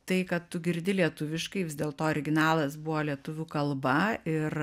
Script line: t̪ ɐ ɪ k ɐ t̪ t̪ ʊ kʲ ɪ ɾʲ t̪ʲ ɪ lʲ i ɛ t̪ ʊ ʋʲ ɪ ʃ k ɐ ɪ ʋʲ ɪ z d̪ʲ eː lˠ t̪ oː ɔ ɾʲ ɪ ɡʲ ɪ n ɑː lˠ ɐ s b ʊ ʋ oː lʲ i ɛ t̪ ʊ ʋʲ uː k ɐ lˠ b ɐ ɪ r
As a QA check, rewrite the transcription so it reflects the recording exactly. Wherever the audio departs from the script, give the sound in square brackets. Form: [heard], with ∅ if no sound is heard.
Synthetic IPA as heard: t̪ ɐ ɪ k ɐ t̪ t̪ ʊ [ɡʲ] ɪ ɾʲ [d̪ʲ] ɪ lʲ i ɛ t̪ ʊ ʋʲ ɪ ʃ k ɐ ɪ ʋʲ ɪ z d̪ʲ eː lˠ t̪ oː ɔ ɾʲ ɪ ɡʲ ɪ n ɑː lˠ ɐ s b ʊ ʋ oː lʲ i ɛ t̪ ʊ ʋʲ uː k ɐ lˠ b ɐ ɪ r